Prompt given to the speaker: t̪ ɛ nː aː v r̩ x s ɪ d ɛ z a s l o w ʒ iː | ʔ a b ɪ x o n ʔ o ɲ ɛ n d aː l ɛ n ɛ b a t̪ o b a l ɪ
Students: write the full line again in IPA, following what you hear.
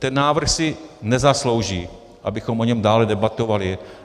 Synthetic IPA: t̪ ɛ nː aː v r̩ x s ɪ n ɛ z a s l o w ʒ iː | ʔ a b ɪ x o m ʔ o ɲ ɛ m d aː l ɛ d ɛ b a t̪ o v a l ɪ